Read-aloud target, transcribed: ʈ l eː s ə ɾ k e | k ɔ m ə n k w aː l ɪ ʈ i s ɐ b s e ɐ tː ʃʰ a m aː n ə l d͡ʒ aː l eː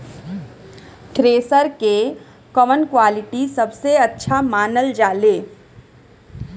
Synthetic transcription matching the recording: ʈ ɾ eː s ə ɾ k e | k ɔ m ə n k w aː l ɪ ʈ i s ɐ b s e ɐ tː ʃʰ a m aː n ə l d͡ʒ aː l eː